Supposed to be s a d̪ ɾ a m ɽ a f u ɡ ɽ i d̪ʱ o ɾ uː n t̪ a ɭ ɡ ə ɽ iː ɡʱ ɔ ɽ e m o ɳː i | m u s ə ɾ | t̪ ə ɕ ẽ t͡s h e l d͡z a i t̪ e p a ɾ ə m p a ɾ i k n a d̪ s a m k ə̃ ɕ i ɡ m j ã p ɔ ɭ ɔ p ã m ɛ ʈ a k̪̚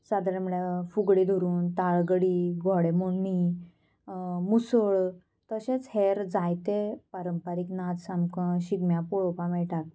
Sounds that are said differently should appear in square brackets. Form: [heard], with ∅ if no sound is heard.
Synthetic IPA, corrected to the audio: s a d̪ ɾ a m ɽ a f u ɡ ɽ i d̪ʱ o ɾ uː n t̪ a ɭ ɡ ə ɽ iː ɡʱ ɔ ɽ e m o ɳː i | m u s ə [ɭ] | t̪ ə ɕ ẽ t͡s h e [ɾ] d͡z a [j] t̪ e p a ɾ ə m p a ɾ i k n a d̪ s a m k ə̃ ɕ i ɡ m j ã p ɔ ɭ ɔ p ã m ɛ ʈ a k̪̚